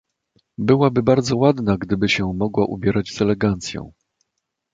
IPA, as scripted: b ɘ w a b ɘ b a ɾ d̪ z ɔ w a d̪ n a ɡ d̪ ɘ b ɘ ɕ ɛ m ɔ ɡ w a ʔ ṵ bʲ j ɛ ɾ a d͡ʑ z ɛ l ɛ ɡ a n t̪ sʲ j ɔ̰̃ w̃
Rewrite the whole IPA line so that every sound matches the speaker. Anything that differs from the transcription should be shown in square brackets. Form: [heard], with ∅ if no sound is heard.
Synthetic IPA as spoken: b ɘ w a b ɘ b a ɾ d̪ z ɔ w a d̪ n a ɡ d̪ ɘ b ɘ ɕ ɛ m ɔ ɡ w a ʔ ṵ bʲ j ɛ ɾ a d͡ʑ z ɛ l ɛ ɡ a n t̪ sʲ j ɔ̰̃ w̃